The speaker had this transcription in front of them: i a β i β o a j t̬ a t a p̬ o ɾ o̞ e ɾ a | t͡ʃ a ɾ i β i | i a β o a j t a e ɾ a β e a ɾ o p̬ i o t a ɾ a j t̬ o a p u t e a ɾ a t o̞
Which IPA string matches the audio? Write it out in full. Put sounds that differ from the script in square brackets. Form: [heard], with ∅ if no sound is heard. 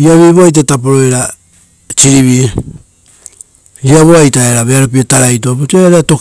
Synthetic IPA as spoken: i a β i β o a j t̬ a t a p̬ o ɾ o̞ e ɾ a | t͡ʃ [i] ɾ i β i | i a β o a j t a e ɾ a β e a ɾ o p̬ i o t a ɾ a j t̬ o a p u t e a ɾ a t o̞